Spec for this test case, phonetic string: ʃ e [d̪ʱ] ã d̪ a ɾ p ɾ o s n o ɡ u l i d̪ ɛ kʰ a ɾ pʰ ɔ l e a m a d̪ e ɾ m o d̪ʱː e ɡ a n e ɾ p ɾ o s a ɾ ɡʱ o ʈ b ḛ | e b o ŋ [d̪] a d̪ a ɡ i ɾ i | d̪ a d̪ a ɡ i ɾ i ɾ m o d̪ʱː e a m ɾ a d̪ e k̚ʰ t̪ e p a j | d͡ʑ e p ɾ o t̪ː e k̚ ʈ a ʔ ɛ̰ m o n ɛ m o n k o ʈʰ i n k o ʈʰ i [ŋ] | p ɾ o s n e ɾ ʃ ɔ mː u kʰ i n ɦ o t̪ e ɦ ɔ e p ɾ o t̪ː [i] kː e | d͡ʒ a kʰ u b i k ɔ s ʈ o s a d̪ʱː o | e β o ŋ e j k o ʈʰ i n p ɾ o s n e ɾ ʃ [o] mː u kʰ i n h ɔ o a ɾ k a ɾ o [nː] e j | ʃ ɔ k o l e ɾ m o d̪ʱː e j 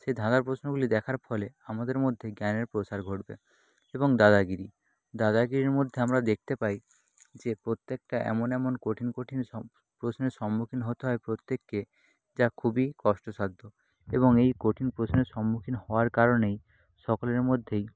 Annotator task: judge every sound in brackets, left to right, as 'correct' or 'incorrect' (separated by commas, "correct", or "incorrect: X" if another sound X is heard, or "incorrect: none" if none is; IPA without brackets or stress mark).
correct, correct, incorrect: n, incorrect: e, incorrect: ɔ, incorrect: n